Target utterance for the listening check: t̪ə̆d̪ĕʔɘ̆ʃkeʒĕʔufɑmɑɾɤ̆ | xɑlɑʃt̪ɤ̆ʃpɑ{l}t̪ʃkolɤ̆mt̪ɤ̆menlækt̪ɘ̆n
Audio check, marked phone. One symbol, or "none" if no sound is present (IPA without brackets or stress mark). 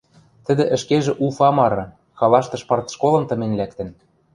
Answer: r